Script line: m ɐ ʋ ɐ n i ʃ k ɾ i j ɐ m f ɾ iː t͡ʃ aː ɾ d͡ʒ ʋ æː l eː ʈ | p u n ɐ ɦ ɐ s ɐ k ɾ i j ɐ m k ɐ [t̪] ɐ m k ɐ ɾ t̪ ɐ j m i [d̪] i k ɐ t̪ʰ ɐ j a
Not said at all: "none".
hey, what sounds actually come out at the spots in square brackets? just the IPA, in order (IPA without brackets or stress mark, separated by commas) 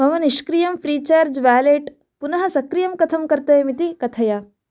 t̪ʰ, t̪